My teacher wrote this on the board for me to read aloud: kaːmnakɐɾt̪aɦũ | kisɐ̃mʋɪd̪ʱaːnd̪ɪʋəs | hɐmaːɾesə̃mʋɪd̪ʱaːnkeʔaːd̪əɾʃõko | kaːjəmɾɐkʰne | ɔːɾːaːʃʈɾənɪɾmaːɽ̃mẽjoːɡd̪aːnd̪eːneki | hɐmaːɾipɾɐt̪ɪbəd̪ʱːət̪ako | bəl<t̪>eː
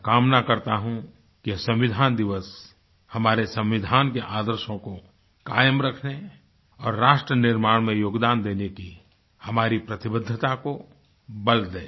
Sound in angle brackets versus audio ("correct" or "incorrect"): incorrect